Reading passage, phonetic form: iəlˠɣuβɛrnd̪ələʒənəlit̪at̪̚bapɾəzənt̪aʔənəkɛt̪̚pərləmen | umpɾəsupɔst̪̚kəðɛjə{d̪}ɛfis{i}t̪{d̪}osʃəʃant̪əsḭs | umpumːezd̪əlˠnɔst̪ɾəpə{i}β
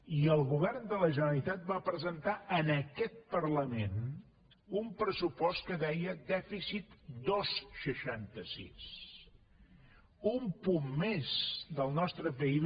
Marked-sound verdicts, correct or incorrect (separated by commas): correct, correct, correct, correct